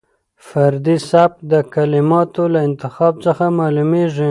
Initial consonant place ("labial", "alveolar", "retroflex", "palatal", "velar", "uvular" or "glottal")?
labial